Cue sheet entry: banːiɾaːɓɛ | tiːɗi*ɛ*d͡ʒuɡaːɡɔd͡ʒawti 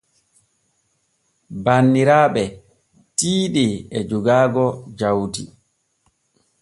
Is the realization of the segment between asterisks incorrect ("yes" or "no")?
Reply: no